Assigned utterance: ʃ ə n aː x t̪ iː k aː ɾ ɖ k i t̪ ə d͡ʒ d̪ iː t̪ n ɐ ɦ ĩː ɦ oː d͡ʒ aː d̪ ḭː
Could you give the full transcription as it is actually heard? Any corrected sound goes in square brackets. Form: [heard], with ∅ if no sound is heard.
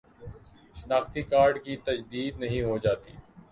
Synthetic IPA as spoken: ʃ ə n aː x t̪ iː k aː ɾ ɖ k i t̪ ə d͡ʒ d̪ iː [d̪] n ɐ ɦ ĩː ɦ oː d͡ʒ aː [t̪] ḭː